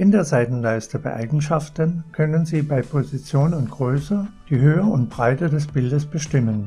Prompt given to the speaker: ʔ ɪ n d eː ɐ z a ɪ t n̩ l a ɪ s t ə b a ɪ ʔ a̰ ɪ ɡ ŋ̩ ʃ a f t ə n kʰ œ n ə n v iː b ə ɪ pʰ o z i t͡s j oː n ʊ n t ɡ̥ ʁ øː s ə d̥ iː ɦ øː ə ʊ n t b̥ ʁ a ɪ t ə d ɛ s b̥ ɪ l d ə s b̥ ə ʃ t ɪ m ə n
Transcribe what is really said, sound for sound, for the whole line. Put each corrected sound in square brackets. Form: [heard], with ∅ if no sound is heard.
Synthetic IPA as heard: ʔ ɪ n d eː ɐ z a ɪ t n̩ l a ɪ s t ə b a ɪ ʔ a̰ ɪ ɡ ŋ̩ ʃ a f t ə n kʰ œ n ə n [z] iː b [a] ɪ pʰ o z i t͡s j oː n ʊ n t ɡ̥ ʁ øː s ə d̥ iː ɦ øː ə ʊ n t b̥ ʁ a ɪ t ə d ɛ s b̥ ɪ l d ə s b̥ ə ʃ t ɪ m ə n